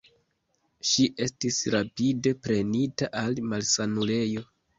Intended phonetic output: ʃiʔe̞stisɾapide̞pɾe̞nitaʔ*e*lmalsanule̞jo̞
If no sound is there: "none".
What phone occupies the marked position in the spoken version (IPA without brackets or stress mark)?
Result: a